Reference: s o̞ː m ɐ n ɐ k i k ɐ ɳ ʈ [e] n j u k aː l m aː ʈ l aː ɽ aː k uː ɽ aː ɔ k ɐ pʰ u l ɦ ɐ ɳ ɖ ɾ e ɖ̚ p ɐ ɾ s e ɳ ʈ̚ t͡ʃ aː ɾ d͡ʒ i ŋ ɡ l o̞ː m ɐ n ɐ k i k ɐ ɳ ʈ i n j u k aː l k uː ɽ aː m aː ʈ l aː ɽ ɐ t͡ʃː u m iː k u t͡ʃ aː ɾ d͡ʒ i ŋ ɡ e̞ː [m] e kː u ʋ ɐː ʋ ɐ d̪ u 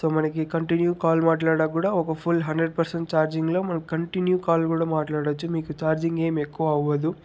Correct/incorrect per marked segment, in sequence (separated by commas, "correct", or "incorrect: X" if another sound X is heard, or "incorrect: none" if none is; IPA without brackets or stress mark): incorrect: i, correct